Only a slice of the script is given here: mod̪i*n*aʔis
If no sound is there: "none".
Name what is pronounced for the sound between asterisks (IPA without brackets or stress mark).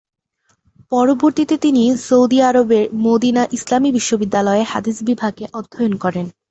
n